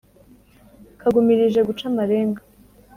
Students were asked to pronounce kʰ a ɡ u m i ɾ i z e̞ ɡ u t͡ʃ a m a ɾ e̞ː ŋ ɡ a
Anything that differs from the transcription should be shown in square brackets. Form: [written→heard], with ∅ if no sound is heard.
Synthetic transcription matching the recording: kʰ a ɡ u m i ɾ i [z→ʒ] e̞ ɡ u t͡ʃ a m a ɾ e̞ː ŋ ɡ a